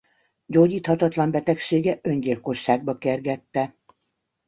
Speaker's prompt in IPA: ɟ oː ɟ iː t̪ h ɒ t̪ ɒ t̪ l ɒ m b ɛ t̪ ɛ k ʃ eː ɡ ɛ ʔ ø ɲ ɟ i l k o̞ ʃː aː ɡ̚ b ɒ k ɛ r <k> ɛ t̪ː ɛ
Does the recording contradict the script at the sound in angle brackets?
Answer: yes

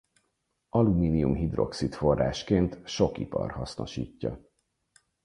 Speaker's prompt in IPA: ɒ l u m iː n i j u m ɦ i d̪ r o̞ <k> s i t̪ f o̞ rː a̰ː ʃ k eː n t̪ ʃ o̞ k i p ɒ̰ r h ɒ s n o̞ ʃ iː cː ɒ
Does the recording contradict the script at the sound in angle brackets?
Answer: no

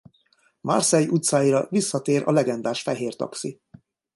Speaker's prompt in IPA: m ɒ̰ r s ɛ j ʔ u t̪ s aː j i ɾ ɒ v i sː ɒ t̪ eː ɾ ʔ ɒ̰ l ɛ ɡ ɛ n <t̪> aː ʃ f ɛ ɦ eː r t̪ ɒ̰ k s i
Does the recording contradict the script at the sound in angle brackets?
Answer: yes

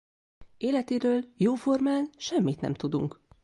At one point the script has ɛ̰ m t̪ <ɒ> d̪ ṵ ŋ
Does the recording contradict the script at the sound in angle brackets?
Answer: yes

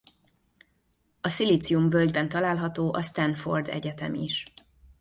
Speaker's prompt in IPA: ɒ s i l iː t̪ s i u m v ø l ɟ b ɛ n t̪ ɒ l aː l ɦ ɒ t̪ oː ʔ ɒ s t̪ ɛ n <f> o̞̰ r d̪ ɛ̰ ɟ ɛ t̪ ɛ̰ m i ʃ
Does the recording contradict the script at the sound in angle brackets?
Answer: no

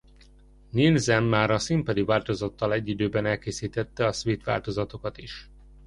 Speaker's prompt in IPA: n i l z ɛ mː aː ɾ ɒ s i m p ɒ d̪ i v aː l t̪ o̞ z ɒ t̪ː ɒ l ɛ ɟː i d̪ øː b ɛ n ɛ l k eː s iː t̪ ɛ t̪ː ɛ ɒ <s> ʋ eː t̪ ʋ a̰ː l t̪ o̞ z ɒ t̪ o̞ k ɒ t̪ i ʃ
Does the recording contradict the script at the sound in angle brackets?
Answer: no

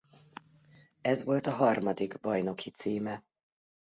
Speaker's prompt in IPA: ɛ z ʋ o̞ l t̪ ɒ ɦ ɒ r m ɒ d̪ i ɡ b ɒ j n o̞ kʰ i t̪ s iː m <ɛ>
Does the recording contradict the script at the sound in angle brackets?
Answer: no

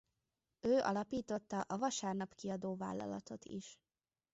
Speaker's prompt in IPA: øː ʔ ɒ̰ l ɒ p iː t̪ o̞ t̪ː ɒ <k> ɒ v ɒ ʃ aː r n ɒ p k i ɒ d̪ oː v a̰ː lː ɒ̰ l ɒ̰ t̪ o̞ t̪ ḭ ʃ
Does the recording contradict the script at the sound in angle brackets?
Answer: yes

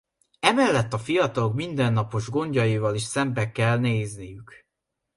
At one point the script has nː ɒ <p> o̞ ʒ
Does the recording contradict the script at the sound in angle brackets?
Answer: no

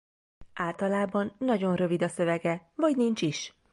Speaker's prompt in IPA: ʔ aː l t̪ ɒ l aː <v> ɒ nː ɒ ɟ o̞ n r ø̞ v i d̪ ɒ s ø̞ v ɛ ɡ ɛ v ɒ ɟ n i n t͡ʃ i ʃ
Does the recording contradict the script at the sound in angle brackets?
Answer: yes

